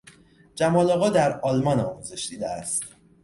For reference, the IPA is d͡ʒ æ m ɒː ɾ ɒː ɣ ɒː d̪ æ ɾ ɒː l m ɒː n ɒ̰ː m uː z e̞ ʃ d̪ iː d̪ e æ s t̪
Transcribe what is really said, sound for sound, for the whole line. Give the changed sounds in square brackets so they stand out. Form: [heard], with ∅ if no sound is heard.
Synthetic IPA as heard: d͡ʒ æ m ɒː [l] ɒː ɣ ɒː d̪ æ ɾ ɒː l m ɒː n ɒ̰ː m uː z e̞ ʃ d̪ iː d̪ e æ s t̪